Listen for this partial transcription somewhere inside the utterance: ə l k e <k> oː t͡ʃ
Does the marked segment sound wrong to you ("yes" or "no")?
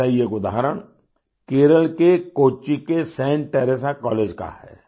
no